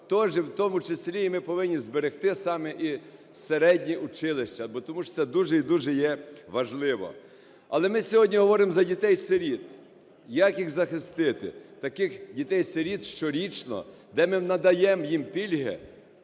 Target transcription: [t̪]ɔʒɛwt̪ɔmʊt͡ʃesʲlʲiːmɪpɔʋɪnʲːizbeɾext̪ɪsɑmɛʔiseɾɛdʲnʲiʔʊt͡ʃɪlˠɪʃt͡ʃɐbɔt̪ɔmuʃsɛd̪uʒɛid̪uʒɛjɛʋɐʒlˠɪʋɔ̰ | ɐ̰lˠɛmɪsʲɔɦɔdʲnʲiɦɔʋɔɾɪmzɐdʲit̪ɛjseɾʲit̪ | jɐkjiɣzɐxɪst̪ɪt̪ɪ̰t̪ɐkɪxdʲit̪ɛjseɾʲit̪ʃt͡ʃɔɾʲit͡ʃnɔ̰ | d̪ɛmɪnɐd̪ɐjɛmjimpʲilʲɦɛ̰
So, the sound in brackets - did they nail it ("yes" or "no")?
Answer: yes